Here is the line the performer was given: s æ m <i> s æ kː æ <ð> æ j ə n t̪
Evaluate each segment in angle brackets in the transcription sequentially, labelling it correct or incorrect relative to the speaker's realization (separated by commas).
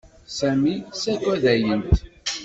correct, correct